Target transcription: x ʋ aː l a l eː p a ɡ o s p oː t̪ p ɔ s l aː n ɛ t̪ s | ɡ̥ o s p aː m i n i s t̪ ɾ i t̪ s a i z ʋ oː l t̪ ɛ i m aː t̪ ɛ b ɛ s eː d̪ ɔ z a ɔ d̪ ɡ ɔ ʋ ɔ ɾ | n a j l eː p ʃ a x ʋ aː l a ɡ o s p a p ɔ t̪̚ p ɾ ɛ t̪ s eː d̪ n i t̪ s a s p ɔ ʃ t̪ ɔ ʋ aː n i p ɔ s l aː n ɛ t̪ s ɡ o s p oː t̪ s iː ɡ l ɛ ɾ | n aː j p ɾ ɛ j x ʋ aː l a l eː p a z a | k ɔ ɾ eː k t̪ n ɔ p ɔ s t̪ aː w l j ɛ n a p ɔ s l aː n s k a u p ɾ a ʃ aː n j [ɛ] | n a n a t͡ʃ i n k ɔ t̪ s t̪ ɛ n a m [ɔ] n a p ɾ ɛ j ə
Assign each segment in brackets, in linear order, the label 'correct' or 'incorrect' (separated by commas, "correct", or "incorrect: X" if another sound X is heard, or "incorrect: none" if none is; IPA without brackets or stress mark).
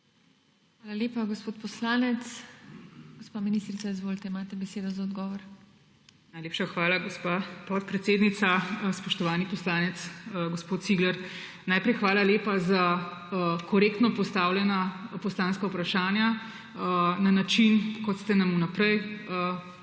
incorrect: a, incorrect: u